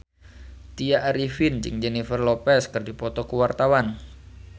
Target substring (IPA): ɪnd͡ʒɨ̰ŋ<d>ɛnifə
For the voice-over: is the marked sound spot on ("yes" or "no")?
no